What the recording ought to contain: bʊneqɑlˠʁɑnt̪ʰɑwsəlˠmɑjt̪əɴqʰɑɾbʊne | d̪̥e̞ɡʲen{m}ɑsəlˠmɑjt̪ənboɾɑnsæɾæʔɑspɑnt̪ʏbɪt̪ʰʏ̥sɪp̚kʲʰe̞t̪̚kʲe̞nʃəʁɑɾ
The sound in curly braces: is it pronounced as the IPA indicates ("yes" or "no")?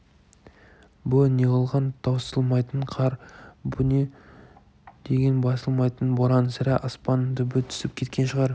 no